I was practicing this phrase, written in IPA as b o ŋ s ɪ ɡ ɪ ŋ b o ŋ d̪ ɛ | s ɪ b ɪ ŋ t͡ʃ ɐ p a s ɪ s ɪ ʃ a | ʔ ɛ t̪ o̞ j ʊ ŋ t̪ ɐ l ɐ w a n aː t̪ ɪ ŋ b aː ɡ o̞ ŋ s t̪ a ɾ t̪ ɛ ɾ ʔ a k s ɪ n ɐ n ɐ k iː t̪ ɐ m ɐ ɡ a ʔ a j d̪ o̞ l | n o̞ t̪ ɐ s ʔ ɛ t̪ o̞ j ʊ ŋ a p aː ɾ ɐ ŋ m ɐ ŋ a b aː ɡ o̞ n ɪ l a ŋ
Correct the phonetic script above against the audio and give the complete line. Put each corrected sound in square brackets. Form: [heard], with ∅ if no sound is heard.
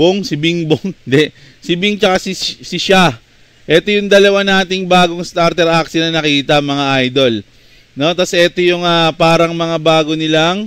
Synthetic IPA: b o ŋ s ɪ [b] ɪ ŋ b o ŋ d̪ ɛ | s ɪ b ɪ ŋ t͡ʃ ɐ [k] a s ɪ s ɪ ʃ a | ʔ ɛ t̪ o̞ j ʊ ŋ [d̪] ɐ l ɐ w a n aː t̪ ɪ ŋ b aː ɡ o̞ ŋ s t̪ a ɾ t̪ ɛ ɾ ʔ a k s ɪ n ɐ n ɐ k iː t̪ ɐ m ɐ [ŋ] a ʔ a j d̪ o̞ l | n o̞ t̪ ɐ s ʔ ɛ t̪ o̞ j ʊ ŋ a p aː ɾ ɐ ŋ m ɐ ŋ a b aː ɡ o̞ n ɪ l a ŋ

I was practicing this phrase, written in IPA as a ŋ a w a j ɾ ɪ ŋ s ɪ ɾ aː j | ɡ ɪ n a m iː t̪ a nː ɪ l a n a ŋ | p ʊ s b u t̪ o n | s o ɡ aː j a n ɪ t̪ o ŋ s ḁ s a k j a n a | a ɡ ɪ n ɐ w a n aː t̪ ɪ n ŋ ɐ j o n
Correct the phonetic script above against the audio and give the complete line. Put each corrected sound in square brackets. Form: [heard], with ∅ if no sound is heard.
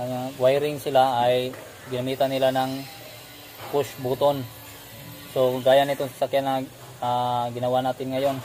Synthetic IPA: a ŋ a w a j ɾ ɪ ŋ s ɪ [l] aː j | ɡ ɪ n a m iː t̪ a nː ɪ l a n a ŋ | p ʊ s b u t̪ o n | s o ɡ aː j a n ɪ t̪ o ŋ s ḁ s a k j a n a | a ɡ ɪ n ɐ w a n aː t̪ ɪ n ŋ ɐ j o n

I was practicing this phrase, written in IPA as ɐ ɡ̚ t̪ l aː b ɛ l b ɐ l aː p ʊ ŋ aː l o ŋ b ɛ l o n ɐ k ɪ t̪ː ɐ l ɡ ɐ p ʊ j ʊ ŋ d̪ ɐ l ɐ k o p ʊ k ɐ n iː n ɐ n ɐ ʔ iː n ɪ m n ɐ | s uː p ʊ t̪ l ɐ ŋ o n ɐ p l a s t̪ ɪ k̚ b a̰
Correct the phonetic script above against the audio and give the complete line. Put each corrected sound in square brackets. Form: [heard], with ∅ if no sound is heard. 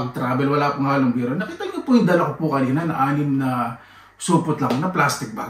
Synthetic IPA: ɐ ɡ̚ t̪ [ɾ] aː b ɛ l [w] ɐ l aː p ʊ ŋ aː l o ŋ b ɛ [ɾ] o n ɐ k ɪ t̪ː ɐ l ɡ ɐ p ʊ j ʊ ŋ d̪ ɐ l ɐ k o p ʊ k ɐ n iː n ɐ n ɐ ʔ [aː] n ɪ m n ɐ | s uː p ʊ t̪ l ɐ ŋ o n ɐ p l a s t̪ ɪ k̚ b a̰

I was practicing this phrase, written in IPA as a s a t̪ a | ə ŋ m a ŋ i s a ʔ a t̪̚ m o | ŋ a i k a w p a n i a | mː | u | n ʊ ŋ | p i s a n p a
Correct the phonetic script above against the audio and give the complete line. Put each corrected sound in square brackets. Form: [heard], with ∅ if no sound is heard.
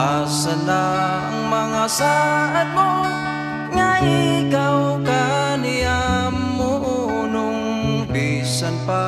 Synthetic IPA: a s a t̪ a | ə ŋ m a ŋ [a] s a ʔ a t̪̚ m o | ŋ a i k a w [k] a n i a | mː | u | n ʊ ŋ | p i s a n p a

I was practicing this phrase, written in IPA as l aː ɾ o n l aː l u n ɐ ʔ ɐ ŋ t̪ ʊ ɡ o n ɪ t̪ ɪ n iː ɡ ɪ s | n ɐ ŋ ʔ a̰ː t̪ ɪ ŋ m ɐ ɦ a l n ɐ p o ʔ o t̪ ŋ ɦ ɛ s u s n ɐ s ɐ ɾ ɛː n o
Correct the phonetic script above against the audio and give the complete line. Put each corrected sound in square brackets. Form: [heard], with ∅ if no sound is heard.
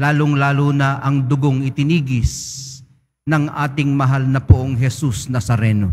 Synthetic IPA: l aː [l] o [ŋ] l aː l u n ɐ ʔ ɐ ŋ [d̪] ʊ ɡ o [ŋ] ɪ t̪ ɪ n iː ɡ ɪ s | n ɐ ŋ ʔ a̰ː t̪ ɪ ŋ m ɐ ɦ a l n ɐ p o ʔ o [∅] ŋ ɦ ɛ s u s n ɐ s ɐ ɾ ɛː n o

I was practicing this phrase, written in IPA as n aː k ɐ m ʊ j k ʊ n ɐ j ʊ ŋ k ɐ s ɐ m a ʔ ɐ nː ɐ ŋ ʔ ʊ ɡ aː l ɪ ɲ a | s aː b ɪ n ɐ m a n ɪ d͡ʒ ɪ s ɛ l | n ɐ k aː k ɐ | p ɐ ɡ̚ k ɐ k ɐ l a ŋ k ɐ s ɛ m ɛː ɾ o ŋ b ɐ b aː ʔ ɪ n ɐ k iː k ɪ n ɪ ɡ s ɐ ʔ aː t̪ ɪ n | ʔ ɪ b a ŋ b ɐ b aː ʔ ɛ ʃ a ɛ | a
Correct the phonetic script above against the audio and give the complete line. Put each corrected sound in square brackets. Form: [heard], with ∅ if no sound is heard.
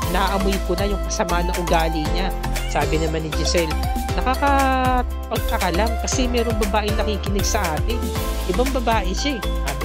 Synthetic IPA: n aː [ʔ] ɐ m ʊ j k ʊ n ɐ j ʊ ŋ k ɐ s ɐ m a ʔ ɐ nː ɐ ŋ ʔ ʊ ɡ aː l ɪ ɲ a | s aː b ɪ n ɐ m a n ɪ d͡ʒ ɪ s ɛ l | n ɐ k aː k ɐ | p ɐ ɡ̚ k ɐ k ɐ l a ŋ k ɐ s ɛ m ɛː ɾ o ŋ b ɐ b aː ʔ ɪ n ɐ k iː k ɪ n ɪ ɡ s ɐ ʔ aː t̪ ɪ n | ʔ ɪ b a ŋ b ɐ b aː ʔ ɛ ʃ a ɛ | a

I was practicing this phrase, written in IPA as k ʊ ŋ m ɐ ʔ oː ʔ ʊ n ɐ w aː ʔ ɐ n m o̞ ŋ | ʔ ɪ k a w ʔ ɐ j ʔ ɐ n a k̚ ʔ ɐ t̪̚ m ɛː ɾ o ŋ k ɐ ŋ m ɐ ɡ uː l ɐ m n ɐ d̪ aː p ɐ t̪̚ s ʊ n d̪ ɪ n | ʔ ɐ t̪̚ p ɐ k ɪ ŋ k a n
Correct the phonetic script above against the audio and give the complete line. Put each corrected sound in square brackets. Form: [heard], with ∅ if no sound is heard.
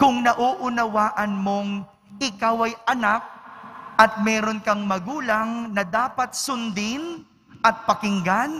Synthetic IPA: k ʊ ŋ [n] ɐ ʔ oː ʔ ʊ n ɐ w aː ʔ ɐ n m o̞ ŋ | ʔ ɪ k a w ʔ ɐ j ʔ ɐ n a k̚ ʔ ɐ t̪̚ m ɛː ɾ o [n] k ɐ ŋ m ɐ ɡ uː l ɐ [ŋ] n ɐ d̪ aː p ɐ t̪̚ s ʊ n d̪ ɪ n | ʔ ɐ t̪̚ p ɐ k ɪ ŋ [ɡ] a n

